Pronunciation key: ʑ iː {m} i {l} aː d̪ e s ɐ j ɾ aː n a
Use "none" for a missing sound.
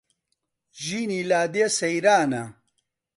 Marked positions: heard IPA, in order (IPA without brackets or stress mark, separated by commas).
n, l